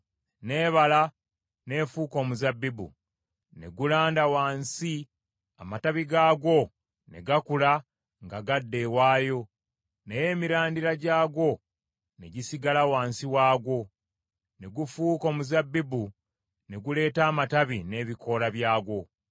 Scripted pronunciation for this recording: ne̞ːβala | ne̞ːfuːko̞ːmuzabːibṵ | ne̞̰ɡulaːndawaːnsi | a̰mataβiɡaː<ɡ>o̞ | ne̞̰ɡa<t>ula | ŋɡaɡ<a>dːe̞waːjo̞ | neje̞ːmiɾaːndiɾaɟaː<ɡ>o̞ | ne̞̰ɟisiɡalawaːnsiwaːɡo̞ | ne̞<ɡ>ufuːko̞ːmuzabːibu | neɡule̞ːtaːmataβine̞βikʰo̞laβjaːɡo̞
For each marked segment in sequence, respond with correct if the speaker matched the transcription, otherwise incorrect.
correct, incorrect, correct, correct, correct

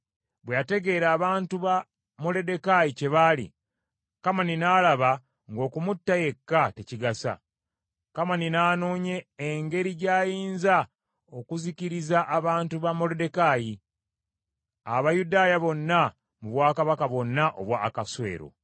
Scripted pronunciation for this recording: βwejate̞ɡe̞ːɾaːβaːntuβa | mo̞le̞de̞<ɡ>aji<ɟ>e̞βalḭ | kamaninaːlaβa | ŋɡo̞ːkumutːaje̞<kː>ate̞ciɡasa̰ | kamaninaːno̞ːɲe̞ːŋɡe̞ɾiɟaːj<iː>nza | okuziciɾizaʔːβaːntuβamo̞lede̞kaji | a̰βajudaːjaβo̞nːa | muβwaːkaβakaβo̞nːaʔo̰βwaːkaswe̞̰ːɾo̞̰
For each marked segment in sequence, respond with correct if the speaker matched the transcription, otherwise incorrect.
incorrect, incorrect, correct, correct

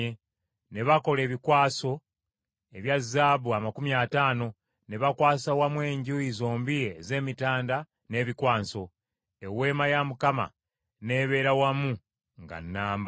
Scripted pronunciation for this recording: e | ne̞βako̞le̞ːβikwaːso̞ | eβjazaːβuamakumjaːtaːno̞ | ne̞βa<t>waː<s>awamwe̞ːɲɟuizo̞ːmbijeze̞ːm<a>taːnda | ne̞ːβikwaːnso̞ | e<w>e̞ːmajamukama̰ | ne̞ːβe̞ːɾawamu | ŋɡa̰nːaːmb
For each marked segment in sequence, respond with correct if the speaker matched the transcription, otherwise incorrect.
incorrect, correct, incorrect, correct

